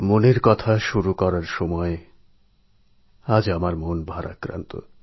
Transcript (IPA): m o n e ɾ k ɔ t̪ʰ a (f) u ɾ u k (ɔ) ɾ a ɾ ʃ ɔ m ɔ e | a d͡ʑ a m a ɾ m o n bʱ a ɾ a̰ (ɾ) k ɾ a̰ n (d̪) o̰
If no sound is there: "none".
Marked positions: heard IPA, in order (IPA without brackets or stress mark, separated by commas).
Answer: ʃ, ɔ, none, t̪